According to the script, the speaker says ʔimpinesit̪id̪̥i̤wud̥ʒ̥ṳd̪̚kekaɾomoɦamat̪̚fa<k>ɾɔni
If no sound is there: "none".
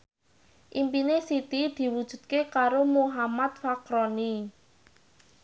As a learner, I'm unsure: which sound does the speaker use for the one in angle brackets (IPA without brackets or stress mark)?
k